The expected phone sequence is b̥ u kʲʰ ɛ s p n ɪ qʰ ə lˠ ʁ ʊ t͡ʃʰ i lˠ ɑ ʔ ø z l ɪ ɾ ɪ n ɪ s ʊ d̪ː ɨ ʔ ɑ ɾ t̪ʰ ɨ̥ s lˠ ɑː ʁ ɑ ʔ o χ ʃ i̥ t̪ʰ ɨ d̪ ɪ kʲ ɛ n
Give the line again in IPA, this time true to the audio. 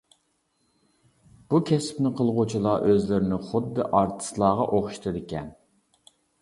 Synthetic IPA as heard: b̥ u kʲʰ ɛ s p n ɪ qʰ ə lˠ ʁ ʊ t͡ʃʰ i lˠ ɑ ʔ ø z l ɪ ɾ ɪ n ɪ χ ʊ d̪ː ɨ ʔ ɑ ɾ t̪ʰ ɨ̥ s lˠ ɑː ʁ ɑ ʔ o χ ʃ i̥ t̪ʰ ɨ d̪ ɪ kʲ ɛ n